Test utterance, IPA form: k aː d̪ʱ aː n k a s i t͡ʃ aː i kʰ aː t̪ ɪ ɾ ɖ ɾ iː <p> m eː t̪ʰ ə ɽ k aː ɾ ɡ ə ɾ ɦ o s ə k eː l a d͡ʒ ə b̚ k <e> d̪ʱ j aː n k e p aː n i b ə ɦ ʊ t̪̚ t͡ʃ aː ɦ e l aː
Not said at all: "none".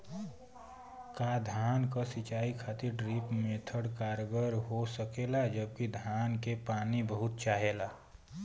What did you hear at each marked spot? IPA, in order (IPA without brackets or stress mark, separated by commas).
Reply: p, i